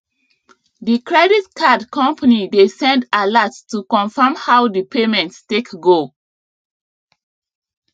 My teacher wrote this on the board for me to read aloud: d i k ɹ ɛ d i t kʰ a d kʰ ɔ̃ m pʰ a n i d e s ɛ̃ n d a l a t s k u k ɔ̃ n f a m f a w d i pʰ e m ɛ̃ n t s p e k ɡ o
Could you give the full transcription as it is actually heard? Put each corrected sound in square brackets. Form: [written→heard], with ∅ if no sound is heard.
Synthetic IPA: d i k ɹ ɛ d i t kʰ a d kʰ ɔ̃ m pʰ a n i d e s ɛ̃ n d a l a t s [k→t] u k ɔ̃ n f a m [f→h] a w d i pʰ e m ɛ̃ n t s [p→t] e k ɡ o